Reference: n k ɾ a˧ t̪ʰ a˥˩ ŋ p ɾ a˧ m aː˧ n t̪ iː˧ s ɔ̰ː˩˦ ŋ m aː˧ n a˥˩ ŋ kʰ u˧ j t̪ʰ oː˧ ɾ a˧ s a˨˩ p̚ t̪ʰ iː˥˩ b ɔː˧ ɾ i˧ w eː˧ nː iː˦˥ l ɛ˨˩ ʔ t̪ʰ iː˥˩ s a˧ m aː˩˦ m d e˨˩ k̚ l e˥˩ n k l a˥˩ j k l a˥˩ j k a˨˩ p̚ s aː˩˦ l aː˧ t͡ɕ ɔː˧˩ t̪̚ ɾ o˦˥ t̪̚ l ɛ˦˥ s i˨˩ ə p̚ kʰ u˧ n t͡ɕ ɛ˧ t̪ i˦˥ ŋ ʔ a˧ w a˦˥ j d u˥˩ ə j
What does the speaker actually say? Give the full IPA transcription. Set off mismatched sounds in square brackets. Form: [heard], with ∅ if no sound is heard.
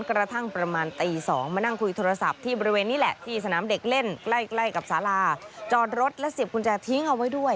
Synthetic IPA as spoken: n k ɾ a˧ t̪ʰ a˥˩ ŋ p ɾ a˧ m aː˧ n t̪ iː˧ s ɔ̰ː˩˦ ŋ m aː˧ n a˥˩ ŋ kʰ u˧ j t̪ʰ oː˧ ɾ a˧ s a˨˩ p̚ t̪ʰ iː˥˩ b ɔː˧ ɾ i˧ w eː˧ nː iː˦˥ l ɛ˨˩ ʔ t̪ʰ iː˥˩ s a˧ [n] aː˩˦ m d e˨˩ k̚ l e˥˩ n k l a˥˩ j k l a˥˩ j k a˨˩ p̚ s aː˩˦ l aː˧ t͡ɕ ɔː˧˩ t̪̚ ɾ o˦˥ t̪̚ l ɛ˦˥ s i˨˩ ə p̚ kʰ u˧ n t͡ɕ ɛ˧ [t̪ʰ] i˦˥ ŋ ʔ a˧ w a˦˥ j d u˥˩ ə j

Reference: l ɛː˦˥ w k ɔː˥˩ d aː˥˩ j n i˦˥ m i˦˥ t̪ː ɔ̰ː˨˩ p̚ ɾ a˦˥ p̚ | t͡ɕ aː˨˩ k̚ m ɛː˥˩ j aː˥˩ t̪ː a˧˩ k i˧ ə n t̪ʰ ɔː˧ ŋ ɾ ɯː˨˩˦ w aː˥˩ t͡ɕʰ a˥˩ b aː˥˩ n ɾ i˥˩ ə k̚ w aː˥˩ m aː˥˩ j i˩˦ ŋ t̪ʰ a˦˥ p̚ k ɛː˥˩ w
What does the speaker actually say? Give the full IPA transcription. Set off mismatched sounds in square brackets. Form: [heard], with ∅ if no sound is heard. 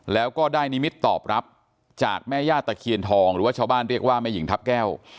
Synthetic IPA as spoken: l ɛː˦˥ w k ɔː˥˩ d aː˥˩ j n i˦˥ m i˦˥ t̪ː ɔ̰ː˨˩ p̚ ɾ a˦˥ p̚ | t͡ɕ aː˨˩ k̚ m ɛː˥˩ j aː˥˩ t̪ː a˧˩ [kʰ] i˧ ə n t̪ʰ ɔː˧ ŋ ɾ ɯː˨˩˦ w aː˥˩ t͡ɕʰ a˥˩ b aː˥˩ n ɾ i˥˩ ə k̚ w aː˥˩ m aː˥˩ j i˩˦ ŋ t̪ʰ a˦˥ p̚ k ɛː˥˩ w

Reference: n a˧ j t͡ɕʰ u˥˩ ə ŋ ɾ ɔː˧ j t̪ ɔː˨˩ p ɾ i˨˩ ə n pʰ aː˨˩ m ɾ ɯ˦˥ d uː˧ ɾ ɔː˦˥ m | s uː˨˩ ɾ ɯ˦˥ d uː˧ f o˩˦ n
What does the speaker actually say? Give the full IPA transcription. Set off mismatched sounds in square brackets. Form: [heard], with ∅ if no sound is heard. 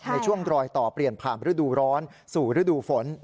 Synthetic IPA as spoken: n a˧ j t͡ɕʰ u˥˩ ə ŋ ɾ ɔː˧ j t̪ ɔː˨˩ p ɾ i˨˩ ə n pʰ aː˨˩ m ɾ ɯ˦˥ d uː˧ ɾ ɔː˦˥ [n] | s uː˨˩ ɾ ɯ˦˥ d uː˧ f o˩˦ n

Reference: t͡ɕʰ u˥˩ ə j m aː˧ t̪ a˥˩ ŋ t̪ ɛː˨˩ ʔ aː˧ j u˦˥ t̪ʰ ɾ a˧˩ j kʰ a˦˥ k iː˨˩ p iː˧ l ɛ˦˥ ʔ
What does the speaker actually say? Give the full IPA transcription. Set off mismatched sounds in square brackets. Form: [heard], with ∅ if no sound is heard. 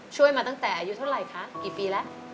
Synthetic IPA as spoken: t͡ɕʰ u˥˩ ə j m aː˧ t̪ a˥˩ ŋ t̪ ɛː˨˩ ʔ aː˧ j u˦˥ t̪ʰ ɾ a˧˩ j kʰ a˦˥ k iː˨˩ p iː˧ l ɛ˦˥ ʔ

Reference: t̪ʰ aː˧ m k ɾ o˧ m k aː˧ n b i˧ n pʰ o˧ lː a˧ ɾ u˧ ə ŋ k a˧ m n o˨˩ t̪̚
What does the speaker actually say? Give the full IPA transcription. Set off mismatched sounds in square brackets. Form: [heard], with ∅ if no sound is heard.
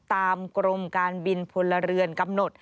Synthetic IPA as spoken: [t̪] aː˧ m k ɾ o˧ m k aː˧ n b i˧ n pʰ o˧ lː a˧ ɾ [ɯ˧] ə [n] k a˧ m n o˨˩ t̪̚

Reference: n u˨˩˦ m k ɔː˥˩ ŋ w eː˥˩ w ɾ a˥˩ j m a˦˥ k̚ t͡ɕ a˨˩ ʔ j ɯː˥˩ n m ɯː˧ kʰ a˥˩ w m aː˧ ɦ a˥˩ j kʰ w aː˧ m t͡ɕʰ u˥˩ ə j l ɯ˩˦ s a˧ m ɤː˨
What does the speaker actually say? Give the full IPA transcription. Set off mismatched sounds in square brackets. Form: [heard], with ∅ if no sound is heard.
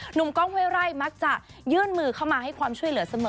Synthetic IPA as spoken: n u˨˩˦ m k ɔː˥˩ ŋ w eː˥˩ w ɾ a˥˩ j m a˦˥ k̚ t͡ɕ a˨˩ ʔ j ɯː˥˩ n m ɯː˧ kʰ a˥˩ w m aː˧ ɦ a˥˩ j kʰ w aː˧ m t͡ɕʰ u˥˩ ə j l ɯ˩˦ s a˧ m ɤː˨

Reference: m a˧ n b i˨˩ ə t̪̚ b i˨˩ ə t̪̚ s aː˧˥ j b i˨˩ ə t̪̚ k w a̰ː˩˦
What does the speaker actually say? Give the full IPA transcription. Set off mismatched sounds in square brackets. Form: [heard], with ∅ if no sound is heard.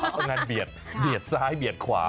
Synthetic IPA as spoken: [ŋ] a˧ n b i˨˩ ə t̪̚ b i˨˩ ə t̪̚ s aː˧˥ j b i˨˩ ə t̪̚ [kʰ] w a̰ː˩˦

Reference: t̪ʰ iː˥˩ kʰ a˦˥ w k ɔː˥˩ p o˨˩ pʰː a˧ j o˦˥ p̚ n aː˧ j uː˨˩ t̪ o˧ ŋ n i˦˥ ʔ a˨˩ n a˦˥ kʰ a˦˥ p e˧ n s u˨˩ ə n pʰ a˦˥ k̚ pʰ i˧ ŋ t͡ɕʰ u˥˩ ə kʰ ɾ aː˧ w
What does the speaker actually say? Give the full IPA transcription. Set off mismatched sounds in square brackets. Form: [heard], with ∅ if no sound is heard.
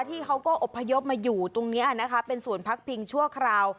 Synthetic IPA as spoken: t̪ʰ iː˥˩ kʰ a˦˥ w k ɔː˥˩ [ʔ] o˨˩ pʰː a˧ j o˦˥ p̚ [m] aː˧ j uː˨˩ t̪ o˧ ŋ n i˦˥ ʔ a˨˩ n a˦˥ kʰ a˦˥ p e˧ n s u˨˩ ə n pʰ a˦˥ k̚ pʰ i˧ ŋ t͡ɕʰ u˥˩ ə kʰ ɾ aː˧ w

